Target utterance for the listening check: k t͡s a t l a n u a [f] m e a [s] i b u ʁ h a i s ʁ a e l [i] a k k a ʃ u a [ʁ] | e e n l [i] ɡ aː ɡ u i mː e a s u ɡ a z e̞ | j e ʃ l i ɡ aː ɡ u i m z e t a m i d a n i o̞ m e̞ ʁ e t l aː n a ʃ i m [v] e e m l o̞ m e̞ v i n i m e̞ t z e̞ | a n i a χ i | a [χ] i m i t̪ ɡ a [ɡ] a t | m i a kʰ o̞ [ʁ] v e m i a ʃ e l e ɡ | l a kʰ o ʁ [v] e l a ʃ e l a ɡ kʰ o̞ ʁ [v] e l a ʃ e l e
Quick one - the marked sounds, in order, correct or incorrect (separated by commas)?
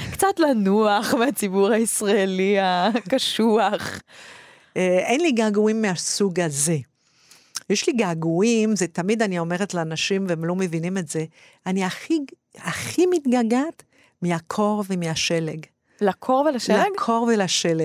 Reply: incorrect, incorrect, correct, incorrect, correct, correct, correct, correct, correct, correct, correct